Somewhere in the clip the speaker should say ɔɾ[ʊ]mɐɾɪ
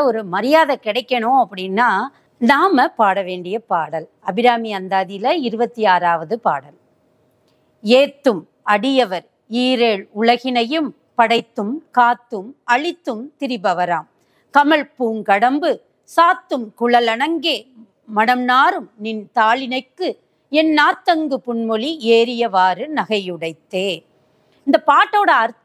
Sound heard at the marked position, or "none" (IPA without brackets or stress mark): ɯ